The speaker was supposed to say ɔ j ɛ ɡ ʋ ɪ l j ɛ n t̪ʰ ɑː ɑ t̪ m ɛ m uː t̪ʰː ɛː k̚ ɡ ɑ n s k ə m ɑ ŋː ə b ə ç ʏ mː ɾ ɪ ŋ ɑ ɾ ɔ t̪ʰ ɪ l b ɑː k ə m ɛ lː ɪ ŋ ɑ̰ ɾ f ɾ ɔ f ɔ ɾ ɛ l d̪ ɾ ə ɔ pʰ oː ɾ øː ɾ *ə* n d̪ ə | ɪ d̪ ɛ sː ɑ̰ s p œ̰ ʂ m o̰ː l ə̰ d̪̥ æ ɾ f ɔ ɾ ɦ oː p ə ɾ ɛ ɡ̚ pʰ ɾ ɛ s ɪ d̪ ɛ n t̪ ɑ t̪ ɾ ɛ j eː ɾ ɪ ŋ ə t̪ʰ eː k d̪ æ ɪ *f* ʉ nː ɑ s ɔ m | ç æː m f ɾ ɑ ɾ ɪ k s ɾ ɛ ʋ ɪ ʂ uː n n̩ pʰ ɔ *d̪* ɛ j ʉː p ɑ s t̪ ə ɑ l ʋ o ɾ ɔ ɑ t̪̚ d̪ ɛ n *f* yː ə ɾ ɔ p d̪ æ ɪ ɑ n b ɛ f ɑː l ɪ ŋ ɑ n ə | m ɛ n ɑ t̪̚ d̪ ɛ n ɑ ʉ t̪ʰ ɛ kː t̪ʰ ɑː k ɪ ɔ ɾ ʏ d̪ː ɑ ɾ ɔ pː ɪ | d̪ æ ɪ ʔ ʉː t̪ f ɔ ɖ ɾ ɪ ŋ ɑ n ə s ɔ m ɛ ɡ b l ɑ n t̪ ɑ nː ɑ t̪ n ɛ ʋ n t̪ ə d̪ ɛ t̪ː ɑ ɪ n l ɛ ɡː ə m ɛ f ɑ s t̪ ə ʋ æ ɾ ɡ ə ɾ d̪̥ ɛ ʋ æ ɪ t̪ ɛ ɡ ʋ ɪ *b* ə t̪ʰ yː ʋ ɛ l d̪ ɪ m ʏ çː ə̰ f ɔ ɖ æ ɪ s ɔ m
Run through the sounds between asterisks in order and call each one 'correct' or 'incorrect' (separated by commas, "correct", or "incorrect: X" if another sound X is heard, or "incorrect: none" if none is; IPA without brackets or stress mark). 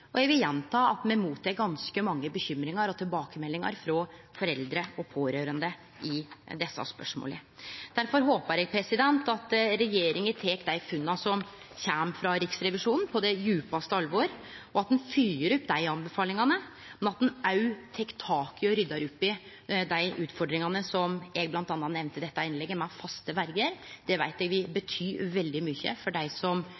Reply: correct, correct, correct, correct, correct